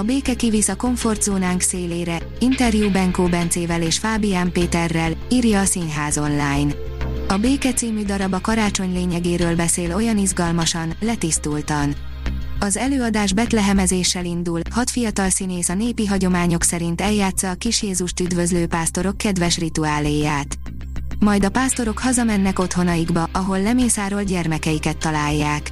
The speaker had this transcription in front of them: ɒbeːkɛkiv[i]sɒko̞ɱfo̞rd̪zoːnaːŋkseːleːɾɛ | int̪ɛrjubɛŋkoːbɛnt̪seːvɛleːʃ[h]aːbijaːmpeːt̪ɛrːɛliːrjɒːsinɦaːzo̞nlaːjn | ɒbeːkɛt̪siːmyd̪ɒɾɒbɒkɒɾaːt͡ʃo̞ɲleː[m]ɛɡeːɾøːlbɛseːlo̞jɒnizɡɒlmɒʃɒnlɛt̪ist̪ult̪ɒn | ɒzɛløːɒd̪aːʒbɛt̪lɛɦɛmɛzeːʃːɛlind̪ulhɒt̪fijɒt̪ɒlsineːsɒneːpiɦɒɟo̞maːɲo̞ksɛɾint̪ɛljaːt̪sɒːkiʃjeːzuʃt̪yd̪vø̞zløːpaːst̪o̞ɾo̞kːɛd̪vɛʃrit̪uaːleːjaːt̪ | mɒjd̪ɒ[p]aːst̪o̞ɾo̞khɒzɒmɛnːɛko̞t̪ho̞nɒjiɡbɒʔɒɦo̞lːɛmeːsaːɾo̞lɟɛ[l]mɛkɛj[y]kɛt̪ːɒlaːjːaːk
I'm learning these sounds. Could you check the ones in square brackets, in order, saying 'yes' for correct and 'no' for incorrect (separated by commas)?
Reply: yes, no, no, yes, no, no